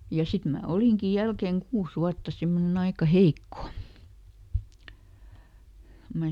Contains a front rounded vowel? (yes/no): no